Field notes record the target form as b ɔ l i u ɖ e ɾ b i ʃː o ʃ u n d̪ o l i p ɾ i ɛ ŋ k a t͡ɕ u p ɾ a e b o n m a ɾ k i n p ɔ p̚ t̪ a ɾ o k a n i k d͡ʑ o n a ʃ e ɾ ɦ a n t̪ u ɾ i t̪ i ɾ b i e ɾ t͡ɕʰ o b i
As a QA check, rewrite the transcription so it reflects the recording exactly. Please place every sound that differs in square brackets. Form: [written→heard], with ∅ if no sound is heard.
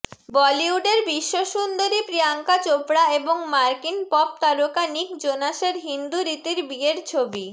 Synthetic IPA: b ɔ l i u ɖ e ɾ b i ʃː o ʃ u n d̪ o [l→ɾ] i p ɾ i [ɛ→a] ŋ k a t͡ɕ [u→o] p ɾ a e b o [n→ŋ] m a ɾ k i n p ɔ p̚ t̪ a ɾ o k a n i k d͡ʑ o n a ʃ e ɾ ɦ [a→i] n [t̪→d̪] u ɾ i t̪ i ɾ b i e ɾ t͡ɕʰ o b i

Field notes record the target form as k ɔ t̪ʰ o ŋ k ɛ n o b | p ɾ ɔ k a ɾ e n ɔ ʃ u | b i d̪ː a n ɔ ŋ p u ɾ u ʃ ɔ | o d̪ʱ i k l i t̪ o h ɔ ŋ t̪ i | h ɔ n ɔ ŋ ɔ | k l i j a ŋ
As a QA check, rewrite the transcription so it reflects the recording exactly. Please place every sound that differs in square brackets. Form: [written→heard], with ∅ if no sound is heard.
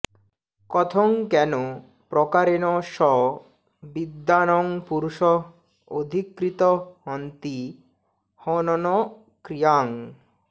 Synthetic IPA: k ɔ t̪ʰ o ŋ k ɛ n o [b→∅] | p ɾ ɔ k a ɾ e n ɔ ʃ [u→ɔ] | b i d̪ː a n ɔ ŋ p u ɾ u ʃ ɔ | o d̪ʱ i k [l→ɾ] i t̪ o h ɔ [ŋ→n] t̪ i | h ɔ n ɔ [ŋ→n] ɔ | k [l→ɾ] i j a ŋ

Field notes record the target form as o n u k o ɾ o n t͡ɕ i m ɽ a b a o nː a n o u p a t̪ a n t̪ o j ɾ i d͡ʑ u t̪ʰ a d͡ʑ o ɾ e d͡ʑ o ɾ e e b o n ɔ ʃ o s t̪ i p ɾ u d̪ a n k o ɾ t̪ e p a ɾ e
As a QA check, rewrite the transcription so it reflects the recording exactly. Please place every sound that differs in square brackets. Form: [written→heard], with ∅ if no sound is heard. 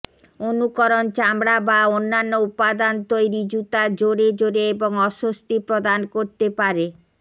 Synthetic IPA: o n u k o ɾ o n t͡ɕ [i→a] m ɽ a b a o nː a [n→nː] o u p a [t̪→d̪] a n t̪ o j ɾ i d͡ʑ u [t̪ʰ→t̪] a d͡ʑ o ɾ e d͡ʑ o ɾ e e b o [n→ŋ] ɔ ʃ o s t̪ i p ɾ [u→o] d̪ a n k o ɾ t̪ e p a ɾ e

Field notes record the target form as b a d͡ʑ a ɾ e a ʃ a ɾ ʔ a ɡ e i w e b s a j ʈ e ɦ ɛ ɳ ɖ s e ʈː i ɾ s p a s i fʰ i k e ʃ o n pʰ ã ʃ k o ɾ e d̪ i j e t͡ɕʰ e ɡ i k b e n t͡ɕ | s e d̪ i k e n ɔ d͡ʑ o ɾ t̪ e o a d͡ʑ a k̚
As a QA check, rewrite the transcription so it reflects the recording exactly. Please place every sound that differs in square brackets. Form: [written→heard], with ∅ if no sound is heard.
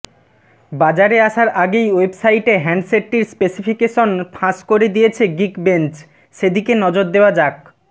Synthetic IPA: b a d͡ʑ a ɾ e a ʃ a ɾ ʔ a ɡ e [i→j] w e b s a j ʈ e ɦ ɛ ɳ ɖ s e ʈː i ɾ s p [a→e] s i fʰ i k e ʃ o n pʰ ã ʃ k o ɾ e d̪ i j e t͡ɕʰ e ɡ i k b e n t͡ɕ | [s→ʃ] e d̪ i k e n ɔ d͡ʑ o ɾ [t̪→d̪] e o a d͡ʑ a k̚

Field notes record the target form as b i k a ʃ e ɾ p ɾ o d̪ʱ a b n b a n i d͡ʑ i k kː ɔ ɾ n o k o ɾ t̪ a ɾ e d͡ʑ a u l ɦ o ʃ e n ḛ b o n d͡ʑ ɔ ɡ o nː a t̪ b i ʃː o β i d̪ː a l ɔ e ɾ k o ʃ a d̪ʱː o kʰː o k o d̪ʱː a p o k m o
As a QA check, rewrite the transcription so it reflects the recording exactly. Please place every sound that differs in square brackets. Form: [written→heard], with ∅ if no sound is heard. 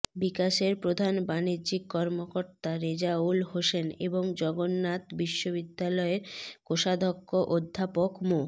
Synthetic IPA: b i k a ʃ e ɾ p ɾ o d̪ʱ a [b→∅] n b a n i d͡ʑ i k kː ɔ ɾ [n→m] o k o ɾ t̪ a ɾ e d͡ʑ a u l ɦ o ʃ e n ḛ b o [n→ŋ] d͡ʑ ɔ ɡ o nː a t̪ b i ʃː o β i d̪ː a l ɔ e ɾ k o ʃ a [d̪ʱː→d̪ʱ] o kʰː o [k→ʔ] o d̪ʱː a p o k m o

